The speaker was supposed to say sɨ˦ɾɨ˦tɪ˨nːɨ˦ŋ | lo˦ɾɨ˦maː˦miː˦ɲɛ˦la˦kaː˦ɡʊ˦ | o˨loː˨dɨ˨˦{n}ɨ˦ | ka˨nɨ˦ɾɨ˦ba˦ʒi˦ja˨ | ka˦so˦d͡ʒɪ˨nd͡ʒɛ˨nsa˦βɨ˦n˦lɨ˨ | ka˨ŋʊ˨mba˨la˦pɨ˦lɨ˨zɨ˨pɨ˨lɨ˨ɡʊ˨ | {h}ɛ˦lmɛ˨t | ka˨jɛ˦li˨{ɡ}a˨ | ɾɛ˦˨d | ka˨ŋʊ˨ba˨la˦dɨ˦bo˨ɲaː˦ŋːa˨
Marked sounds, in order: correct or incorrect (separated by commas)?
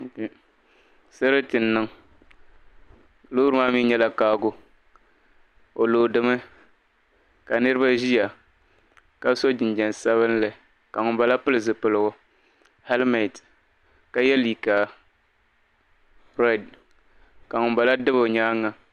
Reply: incorrect, correct, incorrect